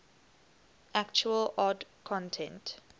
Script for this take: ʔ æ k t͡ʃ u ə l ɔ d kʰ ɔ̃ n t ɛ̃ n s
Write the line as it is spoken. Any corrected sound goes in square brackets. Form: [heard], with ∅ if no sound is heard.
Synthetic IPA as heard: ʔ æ k t͡ʃ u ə l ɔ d kʰ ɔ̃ n [tʰ] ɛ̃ n [t]